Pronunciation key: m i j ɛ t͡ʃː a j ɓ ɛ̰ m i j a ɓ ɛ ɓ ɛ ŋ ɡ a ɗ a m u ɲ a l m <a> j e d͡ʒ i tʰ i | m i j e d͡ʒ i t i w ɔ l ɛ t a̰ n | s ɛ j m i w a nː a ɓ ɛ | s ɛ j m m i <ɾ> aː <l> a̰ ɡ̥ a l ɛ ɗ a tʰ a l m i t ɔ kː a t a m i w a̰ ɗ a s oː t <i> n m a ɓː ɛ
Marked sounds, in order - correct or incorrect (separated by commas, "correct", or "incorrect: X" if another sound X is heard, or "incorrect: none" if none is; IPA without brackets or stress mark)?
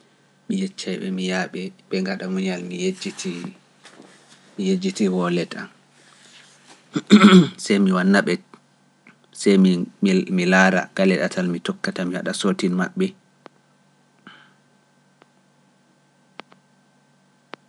incorrect: i, incorrect: l, incorrect: ɾ, correct